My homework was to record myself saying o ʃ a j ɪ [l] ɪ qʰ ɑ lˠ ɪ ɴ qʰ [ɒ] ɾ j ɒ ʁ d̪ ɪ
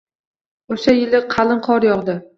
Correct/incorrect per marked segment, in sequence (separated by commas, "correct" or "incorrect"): correct, correct